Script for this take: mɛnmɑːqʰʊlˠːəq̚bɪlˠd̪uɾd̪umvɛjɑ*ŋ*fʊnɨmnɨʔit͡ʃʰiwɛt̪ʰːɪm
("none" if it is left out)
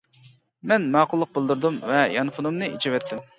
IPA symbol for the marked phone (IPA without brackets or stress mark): n